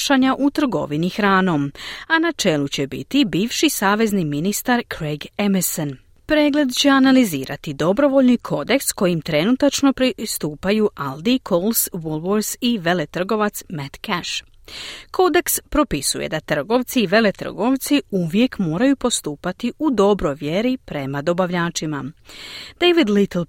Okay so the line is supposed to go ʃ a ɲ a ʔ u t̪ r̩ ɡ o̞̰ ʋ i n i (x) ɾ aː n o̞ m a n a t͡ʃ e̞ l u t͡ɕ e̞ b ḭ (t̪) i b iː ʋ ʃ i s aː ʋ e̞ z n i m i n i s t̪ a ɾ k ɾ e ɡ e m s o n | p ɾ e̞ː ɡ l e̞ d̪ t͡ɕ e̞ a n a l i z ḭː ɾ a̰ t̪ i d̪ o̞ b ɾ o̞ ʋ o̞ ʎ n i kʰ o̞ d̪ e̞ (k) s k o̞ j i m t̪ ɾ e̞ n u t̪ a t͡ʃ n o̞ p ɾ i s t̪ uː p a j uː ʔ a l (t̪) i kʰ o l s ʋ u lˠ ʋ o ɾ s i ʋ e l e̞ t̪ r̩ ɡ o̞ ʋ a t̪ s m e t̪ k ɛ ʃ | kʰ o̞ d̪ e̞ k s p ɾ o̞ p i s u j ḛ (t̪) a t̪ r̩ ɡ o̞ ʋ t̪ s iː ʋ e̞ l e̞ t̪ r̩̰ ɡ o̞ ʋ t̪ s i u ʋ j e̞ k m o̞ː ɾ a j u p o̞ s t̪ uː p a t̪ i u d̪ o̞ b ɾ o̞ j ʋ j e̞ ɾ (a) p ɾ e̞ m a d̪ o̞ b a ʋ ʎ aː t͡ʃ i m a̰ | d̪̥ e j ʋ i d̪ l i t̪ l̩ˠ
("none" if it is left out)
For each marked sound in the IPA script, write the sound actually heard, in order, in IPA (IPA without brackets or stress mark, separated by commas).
x, t̪, k, d̪, d̪, i